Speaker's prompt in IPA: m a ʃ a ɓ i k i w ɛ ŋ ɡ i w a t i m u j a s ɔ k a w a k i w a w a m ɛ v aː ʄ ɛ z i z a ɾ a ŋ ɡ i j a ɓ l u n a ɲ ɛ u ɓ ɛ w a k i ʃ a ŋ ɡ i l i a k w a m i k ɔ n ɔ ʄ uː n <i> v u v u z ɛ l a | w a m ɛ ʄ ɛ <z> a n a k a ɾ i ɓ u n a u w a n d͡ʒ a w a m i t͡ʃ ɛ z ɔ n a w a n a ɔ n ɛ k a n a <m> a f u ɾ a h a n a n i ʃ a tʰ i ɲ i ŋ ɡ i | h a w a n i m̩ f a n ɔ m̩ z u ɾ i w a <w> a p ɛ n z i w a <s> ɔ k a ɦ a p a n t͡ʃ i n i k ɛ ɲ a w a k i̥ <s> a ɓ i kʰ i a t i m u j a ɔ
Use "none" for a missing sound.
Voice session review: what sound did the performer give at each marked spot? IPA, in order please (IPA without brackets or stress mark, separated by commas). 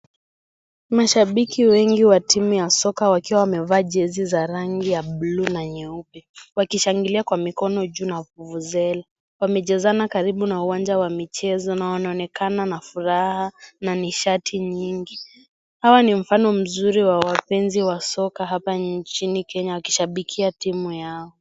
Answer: a, z, n, w, s, ʃ